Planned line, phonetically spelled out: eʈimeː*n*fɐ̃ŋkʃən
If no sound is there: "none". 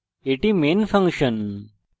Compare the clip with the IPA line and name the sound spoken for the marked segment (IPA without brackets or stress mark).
n